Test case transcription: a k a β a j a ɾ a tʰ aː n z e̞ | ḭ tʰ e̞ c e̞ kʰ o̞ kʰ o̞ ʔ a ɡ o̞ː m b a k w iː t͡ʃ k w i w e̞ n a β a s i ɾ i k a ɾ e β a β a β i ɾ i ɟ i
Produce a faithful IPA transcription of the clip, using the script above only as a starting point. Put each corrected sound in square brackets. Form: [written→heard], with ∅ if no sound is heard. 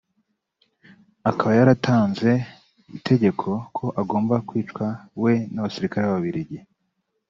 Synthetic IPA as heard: a k a β a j a ɾ a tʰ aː n z e̞ | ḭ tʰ e̞ [c→ɟ] e̞ kʰ o̞ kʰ o̞ ʔ a ɡ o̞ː m b a k w iː t͡ʃ k w [i→a] w e̞ n a β a s i ɾ i k a ɾ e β a β a β i ɾ i ɟ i

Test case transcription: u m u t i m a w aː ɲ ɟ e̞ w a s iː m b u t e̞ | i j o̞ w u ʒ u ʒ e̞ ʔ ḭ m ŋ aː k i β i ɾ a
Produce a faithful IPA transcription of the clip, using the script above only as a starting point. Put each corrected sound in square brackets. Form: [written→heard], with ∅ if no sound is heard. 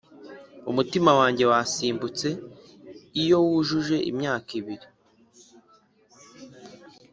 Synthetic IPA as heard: u m u t i m a w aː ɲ ɟ e̞ w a s iː m b u [t→t͡s] e̞ | i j o̞ w u ʒ u ʒ e̞ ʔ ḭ m [ŋ→ɲ] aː k i β i ɾ [a→i]

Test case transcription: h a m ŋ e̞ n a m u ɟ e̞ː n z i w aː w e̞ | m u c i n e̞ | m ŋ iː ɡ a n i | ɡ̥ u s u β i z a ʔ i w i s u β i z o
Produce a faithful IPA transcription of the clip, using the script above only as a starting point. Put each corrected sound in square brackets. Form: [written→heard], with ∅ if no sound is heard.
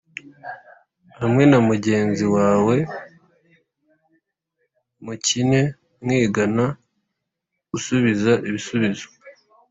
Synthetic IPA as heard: h a m ŋ e̞ n a m u ɟ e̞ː n z i w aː w e̞ | m u c i n e̞ | m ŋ iː ɡ a n [i→a] | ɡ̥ u s u β i z a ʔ i [w→β] i s u β i z o

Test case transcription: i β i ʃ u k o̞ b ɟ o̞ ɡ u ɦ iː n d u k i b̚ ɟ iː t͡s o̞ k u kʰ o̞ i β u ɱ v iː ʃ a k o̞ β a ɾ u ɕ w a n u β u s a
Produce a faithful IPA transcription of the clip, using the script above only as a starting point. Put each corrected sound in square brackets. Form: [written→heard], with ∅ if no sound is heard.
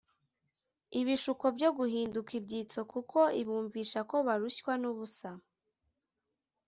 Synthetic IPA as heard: i β i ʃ u k o̞ b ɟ o̞ ɡ u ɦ iː n d u k i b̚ ɟ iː t͡s o̞ k u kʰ o̞ i β [u→uː] ɱ v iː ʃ a k o̞ β a ɾ u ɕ w a n u β u s a

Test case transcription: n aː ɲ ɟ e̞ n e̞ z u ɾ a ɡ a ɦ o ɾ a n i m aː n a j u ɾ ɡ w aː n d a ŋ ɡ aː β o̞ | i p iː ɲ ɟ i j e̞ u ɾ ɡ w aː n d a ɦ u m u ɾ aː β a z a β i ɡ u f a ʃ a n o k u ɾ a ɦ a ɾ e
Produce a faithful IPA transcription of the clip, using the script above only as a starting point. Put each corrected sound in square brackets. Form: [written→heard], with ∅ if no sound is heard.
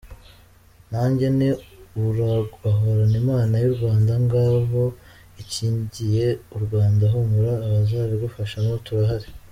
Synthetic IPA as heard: n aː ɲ ɟ e̞ n e̞ [z→∅] u ɾ a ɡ a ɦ o ɾ a n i m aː n a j u ɾ ɡ w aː n d a ŋ ɡ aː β o̞ | i [p→c] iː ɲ ɟ i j e̞ u ɾ ɡ w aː n d a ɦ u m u ɾ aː β a z a β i ɡ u f a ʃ a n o [k→t] u ɾ a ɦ a ɾ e

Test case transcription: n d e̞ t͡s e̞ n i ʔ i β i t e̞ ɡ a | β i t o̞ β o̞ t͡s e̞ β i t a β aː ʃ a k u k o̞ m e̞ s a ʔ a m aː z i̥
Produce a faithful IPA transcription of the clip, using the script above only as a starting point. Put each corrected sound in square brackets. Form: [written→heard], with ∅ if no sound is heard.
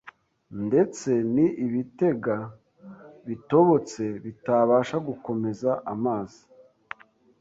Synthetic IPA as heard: n d e̞ t͡s e̞ n i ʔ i β i t e̞ ɡ a | β i t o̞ β o̞ t͡s e̞ β i t a β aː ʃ a [k→ɡ] u k o̞ m e̞ [s→z] a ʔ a m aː z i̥

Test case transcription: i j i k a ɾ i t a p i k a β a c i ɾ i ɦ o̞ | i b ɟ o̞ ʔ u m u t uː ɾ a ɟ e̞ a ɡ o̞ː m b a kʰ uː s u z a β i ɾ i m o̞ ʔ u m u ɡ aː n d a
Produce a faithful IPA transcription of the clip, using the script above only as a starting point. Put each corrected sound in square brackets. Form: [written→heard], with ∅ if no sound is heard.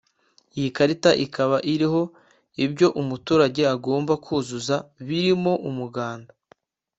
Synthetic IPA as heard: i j i k a ɾ i t a [p→ʔ] i k a β a [c→ʔ] i ɾ i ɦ o̞ | i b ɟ o̞ ʔ u m u t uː ɾ a ɟ e̞ a ɡ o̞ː m b a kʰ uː [s→z] u z a β i ɾ i m o̞ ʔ u m u ɡ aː n d a

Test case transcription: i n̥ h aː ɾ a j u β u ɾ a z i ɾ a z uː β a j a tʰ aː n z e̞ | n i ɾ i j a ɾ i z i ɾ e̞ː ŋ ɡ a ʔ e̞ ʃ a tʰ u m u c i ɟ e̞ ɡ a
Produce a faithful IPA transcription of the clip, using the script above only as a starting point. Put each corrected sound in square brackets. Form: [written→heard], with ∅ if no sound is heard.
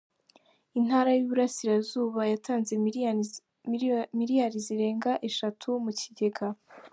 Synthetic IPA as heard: i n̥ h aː ɾ a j u β u ɾ a [z→s] i ɾ a z uː β a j a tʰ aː n z e̞ | [n→m] i ɾ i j a ɾ i z i ɾ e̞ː ŋ ɡ a ʔ e̞ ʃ a tʰ u m u c i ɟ e̞ ɡ a

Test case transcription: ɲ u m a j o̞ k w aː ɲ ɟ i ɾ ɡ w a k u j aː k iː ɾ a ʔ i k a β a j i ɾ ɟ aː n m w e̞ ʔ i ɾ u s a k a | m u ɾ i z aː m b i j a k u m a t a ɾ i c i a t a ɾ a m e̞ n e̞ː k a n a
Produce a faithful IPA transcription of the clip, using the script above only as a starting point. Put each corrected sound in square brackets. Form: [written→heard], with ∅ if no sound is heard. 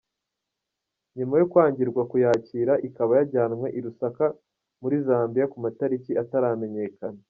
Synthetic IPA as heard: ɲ u m a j o̞ k w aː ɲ ɟ i ɾ ɡ w a k u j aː [k→c] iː ɾ a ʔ i k a β a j [i→a] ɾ ɟ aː n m w e̞ ʔ i ɾ u s a k a | m u ɾ i z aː m b i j a k u m a t a ɾ i c i a t a ɾ a m e̞ [n→ɲ] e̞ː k a n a

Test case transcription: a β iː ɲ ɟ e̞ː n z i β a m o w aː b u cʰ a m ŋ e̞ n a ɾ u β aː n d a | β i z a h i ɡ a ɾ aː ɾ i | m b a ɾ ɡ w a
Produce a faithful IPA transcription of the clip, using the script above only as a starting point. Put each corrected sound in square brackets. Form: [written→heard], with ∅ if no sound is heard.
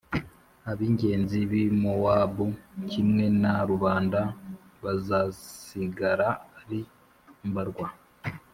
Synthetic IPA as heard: a β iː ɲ ɟ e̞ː n z i β [a→i] m o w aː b u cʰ [a→i] m ŋ e̞ n a ɾ u β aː n d a | β [i→a] z a [h→s] i ɡ a ɾ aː ɾ i | m b a ɾ ɡ w a

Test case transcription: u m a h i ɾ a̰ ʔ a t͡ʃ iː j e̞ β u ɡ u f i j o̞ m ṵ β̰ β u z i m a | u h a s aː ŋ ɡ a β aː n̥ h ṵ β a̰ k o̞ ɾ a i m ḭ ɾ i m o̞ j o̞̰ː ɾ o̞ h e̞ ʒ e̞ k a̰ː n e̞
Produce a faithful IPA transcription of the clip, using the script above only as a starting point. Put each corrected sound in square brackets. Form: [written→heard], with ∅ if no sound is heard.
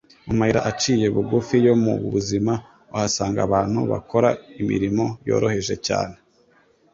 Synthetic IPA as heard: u m a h i ɾ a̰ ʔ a t͡ʃ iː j e̞ β u ɡ u f i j o̞ m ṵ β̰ β u z i m a | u h a s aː ŋ ɡ a β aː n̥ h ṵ β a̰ k o̞ ɾ a i m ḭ ɾ i m o̞ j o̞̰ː ɾ o̞ h e̞ ʒ e̞ [k→c] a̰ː n e̞

